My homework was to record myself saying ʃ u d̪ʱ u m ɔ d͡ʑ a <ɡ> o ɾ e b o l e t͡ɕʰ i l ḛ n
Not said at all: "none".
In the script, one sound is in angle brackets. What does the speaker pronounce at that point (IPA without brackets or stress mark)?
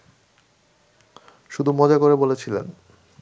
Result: k